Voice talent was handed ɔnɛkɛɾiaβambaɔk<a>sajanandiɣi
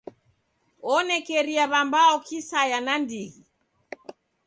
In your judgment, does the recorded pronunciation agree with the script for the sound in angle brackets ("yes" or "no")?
no